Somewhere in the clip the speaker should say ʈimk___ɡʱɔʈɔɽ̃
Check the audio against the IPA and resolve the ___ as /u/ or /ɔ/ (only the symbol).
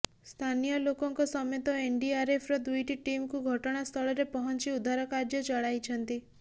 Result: u